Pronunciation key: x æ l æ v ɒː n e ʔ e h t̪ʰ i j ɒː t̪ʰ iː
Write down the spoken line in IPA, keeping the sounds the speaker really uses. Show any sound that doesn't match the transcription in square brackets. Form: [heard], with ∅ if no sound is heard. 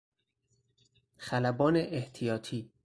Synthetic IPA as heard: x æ l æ [b] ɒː n e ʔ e h t̪ʰ i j ɒː t̪ʰ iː